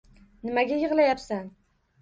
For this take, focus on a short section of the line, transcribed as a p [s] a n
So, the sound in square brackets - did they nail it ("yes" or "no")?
yes